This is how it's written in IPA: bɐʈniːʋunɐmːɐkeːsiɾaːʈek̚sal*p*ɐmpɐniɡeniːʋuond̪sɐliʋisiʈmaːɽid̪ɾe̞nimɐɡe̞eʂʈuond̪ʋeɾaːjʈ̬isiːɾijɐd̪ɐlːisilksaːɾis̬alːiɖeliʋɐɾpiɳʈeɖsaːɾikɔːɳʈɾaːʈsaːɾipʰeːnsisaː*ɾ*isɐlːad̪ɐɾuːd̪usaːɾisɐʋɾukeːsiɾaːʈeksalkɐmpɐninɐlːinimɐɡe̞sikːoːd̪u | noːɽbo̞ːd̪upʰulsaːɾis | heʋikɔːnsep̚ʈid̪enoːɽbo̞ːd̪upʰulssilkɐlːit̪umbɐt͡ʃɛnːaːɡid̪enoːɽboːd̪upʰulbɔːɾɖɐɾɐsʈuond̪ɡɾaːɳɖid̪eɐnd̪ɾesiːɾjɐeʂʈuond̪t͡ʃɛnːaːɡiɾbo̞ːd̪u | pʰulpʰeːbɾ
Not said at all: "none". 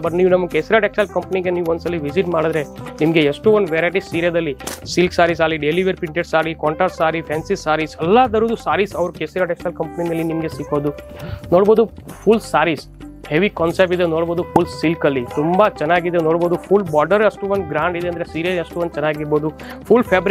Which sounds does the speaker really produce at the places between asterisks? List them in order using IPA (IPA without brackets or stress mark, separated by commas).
k, ɾ